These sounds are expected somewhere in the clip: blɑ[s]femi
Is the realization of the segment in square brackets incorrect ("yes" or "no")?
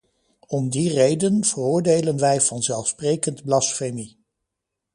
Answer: no